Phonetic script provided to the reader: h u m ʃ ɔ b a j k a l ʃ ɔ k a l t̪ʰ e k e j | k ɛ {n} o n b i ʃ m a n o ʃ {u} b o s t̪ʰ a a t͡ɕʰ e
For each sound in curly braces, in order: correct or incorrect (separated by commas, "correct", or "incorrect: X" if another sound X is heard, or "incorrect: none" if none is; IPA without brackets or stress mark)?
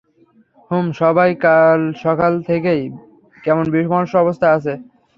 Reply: incorrect: m, incorrect: ɔ